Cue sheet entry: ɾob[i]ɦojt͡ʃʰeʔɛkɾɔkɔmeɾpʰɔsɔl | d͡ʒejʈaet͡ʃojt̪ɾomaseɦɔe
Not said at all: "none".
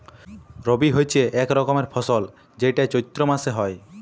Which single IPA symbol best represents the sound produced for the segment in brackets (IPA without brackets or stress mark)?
i